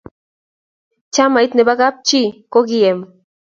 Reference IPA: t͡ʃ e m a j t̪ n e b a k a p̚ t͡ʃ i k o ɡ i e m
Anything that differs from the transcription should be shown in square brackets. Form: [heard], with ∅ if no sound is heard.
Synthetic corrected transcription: t͡ʃ [a] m a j t̪ n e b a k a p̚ t͡ʃ i k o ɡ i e m